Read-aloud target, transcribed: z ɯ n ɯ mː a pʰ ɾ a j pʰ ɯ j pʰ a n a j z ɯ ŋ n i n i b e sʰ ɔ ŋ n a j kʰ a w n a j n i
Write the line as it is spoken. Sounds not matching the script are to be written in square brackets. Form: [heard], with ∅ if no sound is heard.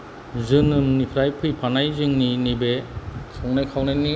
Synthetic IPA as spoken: z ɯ n ɯ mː [i] pʰ ɾ a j pʰ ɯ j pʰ a n a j z ɯ ŋ n i n i b e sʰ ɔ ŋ n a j kʰ a w n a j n i